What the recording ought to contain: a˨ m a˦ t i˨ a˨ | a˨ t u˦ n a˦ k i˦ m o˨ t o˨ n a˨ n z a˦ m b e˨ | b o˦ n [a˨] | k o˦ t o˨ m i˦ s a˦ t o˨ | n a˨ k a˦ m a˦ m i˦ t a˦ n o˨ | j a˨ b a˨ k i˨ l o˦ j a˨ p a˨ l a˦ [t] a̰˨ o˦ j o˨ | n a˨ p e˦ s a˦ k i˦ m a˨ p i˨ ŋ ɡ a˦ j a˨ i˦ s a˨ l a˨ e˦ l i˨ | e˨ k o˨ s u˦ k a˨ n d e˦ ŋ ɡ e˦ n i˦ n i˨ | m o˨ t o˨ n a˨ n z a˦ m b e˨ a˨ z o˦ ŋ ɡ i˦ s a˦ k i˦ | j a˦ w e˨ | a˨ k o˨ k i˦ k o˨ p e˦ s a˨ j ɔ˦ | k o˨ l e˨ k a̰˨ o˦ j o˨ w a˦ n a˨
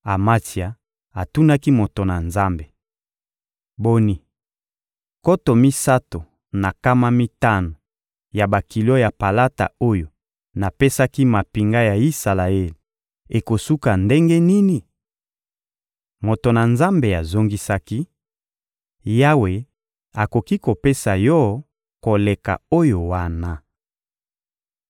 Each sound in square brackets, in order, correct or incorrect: incorrect, correct

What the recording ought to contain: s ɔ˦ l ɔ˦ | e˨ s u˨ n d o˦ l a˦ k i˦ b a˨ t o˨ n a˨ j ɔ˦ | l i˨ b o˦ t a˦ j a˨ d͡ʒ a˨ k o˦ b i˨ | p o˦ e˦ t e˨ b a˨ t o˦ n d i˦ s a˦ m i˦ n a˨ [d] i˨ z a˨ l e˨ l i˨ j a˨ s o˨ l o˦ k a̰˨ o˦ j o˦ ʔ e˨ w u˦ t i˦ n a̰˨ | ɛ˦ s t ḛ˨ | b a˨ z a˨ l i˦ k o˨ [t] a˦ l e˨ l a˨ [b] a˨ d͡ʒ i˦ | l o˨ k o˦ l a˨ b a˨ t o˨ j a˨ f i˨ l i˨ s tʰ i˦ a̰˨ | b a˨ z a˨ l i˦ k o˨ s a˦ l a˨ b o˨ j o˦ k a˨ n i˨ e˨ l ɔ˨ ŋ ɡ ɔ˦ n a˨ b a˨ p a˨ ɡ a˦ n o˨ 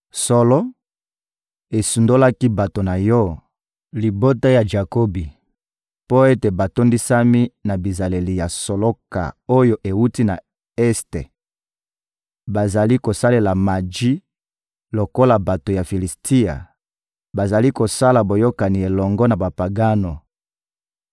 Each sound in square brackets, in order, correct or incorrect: incorrect, incorrect, incorrect

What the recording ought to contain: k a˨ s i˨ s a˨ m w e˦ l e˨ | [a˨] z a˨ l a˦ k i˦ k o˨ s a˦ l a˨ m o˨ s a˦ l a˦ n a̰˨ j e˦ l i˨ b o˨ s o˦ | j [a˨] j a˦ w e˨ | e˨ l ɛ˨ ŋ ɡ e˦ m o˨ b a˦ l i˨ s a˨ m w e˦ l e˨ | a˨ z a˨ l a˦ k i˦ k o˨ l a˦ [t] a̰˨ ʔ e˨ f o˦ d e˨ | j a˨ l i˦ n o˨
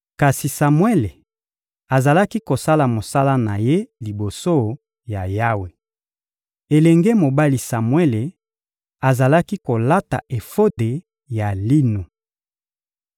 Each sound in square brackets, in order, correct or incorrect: correct, correct, correct

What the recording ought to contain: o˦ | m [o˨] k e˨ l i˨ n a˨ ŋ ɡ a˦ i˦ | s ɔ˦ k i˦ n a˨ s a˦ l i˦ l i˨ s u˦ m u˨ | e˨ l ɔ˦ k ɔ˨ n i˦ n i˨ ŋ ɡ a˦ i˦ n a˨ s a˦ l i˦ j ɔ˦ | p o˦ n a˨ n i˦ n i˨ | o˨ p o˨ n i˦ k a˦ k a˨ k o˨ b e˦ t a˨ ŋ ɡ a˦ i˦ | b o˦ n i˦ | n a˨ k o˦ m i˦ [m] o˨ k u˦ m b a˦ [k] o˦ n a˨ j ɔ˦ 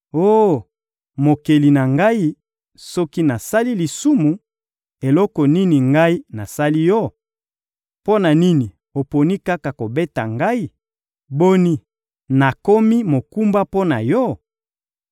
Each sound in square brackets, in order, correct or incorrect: correct, correct, incorrect

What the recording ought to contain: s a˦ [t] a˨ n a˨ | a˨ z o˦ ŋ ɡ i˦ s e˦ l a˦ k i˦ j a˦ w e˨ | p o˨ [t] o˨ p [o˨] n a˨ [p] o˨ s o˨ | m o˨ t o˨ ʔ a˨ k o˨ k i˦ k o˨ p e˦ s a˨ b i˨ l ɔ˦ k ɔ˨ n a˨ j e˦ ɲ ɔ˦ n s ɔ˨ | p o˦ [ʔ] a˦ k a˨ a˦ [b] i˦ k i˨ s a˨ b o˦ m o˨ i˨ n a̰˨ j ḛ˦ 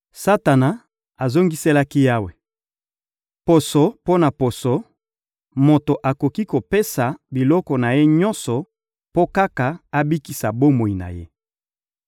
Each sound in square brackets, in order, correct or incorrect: correct, incorrect, incorrect, correct, incorrect, correct

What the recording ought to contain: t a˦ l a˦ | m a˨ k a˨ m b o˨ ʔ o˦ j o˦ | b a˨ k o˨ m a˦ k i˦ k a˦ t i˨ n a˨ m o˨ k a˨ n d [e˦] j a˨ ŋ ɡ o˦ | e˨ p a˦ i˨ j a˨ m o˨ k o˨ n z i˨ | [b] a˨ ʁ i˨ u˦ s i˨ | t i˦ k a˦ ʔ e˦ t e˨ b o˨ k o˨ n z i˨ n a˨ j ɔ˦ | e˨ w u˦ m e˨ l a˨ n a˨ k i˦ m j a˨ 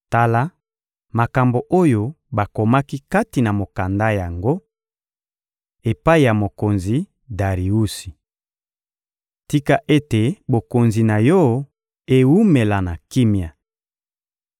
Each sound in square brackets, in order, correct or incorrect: incorrect, incorrect

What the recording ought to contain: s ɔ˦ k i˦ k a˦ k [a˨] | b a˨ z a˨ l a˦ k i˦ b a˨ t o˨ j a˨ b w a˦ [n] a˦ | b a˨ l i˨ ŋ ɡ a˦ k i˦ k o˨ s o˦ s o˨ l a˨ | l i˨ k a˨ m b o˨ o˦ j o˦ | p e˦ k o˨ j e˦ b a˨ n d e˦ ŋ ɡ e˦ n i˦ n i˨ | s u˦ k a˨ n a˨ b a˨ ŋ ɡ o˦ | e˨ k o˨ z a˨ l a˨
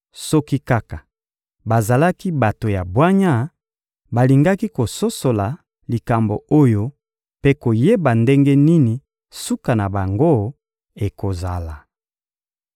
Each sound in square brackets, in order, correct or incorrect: correct, incorrect

